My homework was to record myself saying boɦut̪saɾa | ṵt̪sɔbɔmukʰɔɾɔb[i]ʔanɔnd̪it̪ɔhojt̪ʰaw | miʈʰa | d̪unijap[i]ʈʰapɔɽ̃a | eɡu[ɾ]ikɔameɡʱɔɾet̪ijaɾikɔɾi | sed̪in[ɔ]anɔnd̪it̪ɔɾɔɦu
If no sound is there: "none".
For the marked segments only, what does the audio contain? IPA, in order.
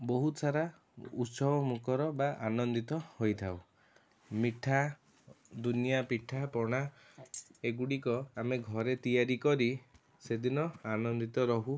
a, i, ɽ, ɔ

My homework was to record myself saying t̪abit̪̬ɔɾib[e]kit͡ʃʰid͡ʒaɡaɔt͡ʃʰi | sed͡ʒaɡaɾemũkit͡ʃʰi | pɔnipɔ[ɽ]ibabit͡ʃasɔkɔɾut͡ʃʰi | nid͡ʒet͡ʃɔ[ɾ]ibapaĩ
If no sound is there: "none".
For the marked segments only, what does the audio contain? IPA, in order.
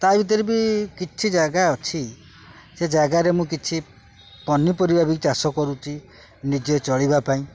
i, ɾ, ɭ

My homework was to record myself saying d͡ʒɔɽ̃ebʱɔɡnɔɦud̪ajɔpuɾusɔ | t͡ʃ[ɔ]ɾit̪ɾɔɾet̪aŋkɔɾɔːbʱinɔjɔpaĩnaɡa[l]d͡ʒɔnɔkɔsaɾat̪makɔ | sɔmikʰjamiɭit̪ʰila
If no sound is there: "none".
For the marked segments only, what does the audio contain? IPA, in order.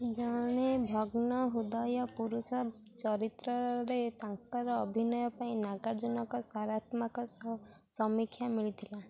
ɔ, ɾ

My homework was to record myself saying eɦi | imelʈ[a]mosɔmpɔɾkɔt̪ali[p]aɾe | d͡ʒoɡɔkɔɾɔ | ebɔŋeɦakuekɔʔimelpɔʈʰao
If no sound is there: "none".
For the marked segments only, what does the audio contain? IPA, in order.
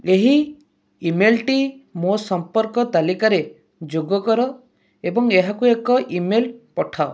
i, k

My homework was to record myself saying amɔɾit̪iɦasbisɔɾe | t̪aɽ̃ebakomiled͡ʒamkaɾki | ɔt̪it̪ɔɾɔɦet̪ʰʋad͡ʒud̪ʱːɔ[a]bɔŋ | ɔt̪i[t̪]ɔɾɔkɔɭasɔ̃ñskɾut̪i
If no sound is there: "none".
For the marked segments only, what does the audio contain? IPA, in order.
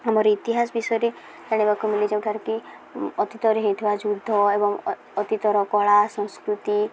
e, t̪

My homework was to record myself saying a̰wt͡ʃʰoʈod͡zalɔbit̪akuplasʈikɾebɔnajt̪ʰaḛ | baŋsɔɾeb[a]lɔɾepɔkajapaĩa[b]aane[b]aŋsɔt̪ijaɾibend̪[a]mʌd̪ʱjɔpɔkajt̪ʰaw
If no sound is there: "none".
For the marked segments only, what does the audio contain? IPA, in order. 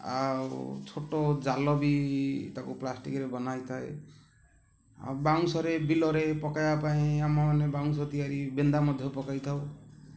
i, m, b, a

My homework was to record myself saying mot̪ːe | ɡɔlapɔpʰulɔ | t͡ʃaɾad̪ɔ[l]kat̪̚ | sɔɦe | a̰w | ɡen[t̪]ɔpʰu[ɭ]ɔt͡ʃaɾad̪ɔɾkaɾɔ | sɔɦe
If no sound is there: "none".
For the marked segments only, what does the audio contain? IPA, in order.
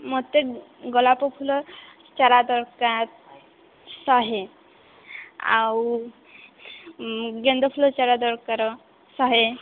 ɾ, d̪, l

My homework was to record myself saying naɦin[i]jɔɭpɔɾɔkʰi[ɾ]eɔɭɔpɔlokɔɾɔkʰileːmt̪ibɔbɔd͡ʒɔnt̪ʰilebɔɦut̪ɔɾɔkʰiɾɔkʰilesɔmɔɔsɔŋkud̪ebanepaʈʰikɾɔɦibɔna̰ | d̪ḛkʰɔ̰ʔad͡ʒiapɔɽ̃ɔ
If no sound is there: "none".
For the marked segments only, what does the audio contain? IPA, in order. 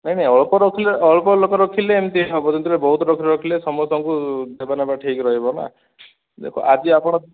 a, l

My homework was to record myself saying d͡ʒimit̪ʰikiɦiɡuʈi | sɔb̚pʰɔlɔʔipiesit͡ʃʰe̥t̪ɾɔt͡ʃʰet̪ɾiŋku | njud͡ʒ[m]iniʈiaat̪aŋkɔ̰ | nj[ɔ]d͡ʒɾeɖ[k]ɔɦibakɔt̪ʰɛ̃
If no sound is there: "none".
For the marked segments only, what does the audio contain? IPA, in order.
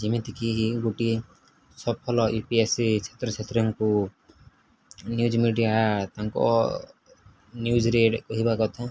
m, u, k

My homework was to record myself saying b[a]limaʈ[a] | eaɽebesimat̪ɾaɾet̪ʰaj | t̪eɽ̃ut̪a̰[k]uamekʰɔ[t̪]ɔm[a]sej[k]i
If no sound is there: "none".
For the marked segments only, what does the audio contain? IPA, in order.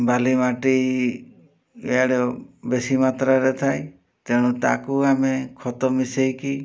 a, i, k, t̪, i, k

